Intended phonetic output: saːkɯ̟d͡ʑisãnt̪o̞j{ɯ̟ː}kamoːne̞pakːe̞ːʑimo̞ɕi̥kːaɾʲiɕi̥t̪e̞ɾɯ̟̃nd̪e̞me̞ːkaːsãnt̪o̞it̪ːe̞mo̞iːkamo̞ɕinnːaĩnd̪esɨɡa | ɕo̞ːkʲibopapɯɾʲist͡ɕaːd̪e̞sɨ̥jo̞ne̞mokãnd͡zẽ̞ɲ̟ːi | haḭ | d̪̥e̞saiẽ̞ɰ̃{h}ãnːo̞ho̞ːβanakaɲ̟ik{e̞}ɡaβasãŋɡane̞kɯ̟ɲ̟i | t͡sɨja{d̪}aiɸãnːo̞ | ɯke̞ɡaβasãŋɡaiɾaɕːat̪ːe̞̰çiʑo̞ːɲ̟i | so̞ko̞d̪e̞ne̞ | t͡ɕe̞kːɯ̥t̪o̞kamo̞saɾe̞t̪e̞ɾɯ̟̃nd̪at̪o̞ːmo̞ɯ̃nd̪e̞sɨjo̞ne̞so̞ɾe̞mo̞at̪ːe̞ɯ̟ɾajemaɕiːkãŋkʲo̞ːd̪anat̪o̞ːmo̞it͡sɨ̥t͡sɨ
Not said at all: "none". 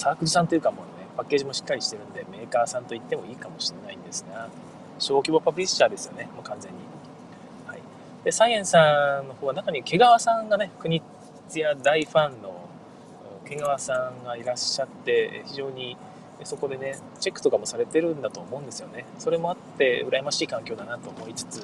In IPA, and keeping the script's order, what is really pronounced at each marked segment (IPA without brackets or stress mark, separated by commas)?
ɯ̟, s, e̞, d̪